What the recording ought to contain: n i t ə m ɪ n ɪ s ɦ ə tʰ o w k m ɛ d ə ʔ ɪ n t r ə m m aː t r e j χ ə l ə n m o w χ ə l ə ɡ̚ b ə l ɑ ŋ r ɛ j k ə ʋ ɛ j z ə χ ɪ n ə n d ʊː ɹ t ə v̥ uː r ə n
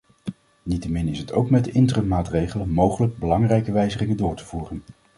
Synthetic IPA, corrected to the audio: n i t ə m ɪ n ɪ s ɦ ə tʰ o w k m ɛ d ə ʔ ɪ n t r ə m m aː t r e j χ ə l ə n m o w χ ə l ə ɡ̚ b ə l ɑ ŋ r ɛ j k ə ʋ ɛ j z ə χ ɪ ŋ ə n d ʊː ɹ t ə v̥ uː r ə n